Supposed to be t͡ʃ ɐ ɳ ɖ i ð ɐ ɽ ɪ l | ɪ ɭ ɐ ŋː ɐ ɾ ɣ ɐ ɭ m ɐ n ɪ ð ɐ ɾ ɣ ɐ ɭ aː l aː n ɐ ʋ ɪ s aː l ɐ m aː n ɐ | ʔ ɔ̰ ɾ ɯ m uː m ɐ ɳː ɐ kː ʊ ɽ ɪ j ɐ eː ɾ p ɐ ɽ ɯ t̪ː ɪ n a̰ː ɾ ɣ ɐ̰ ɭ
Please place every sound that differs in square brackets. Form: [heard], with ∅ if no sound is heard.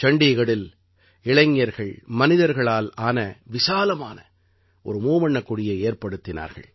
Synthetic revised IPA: t͡ʃ ɐ ɳ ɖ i [ɣ] ɐ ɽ ɪ l | ɪ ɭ ɐ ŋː ɐ ɾ ɣ ɐ ɭ m ɐ n ɪ ð ɐ ɾ ɣ ɐ ɭ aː l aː n ɐ ʋ ɪ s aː l ɐ m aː n ɐ | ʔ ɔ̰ ɾ ɯ m uː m ɐ ɳː ɐ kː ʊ ɽ ɪ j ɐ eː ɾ p ɐ ɽ ɯ t̪ː ɪ n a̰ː ɾ ɣ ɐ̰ ɭ